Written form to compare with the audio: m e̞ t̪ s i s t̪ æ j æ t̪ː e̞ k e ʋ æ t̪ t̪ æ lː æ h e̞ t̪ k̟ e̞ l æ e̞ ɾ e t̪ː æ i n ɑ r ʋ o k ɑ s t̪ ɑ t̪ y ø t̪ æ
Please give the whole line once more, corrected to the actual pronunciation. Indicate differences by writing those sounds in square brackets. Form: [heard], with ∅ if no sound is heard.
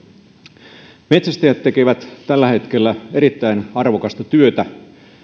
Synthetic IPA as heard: m e̞ t̪ s [æ] s t̪ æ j æ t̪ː e̞ k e ʋ æ t̪ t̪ æ lː æ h e̞ t̪ k̟ e̞ [lː] æ e̞ ɾ [i] t̪ː æ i n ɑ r ʋ o k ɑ s t̪ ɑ t̪ y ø t̪ æ